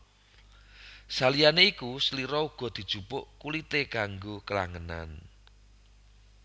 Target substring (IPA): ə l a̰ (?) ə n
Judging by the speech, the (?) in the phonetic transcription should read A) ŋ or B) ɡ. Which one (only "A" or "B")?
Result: A